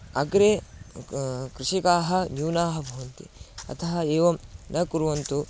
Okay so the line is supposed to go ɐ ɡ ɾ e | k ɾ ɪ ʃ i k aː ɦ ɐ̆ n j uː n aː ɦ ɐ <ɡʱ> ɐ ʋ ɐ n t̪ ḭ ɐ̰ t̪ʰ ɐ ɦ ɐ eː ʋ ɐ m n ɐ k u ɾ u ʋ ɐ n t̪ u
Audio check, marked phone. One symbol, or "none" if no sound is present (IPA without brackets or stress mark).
bʱ